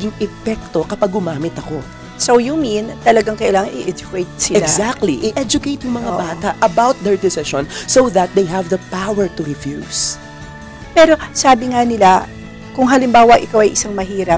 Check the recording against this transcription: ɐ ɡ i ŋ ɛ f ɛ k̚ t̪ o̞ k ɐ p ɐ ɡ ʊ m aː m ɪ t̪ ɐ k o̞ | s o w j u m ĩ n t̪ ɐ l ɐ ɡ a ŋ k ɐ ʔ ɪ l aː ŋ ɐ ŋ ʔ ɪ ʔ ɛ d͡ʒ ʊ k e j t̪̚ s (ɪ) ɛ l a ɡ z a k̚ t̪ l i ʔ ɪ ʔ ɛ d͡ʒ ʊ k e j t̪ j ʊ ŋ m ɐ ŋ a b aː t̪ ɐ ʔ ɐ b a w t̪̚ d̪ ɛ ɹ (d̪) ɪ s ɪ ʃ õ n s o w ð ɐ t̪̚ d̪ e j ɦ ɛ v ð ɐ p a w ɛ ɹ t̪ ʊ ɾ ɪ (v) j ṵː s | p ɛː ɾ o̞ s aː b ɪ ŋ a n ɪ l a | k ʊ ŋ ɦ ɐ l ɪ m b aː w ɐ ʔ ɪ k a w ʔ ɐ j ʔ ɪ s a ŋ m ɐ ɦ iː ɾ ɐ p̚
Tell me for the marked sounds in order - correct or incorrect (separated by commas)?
correct, correct, incorrect